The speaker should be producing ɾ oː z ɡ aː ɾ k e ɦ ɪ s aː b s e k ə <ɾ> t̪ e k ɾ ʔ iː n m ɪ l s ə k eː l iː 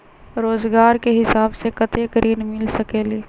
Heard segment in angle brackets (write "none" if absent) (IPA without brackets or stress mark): none